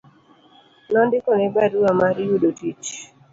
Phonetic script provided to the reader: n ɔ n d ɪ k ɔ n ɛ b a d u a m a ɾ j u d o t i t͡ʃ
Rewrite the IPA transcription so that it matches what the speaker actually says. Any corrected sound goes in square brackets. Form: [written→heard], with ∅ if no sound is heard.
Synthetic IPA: n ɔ n d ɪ k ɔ n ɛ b a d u a m a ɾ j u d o t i t͡ʃ